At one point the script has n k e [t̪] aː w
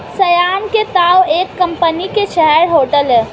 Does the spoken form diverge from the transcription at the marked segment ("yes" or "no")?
no